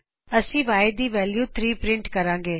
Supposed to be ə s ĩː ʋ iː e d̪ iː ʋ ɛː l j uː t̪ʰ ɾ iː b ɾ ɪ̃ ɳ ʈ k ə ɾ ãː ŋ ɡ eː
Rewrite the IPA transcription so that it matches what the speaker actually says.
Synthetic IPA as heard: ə s ĩː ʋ aː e d̪ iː ʋ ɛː l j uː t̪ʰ ɾ iː p ɾ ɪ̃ ɳ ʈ k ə ɾ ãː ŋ ɡ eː